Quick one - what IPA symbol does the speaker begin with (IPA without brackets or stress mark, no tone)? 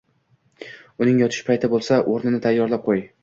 ʊ